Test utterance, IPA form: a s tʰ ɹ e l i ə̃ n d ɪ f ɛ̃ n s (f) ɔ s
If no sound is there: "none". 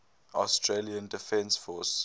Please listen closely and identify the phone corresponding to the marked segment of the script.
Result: f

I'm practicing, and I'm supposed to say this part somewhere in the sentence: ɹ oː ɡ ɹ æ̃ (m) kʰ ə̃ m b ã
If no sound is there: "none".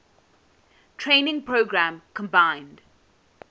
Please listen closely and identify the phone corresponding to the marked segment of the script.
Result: m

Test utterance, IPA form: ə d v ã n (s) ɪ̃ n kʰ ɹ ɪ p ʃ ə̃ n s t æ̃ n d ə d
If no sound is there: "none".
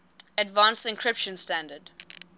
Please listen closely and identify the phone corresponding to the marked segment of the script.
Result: s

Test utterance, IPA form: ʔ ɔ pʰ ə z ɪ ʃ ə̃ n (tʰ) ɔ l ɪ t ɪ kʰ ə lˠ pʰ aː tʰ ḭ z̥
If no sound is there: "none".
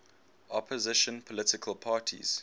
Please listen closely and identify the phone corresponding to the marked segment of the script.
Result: pʰ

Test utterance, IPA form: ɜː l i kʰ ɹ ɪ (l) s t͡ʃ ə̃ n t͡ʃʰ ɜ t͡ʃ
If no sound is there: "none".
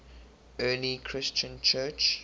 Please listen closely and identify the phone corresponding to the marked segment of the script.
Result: none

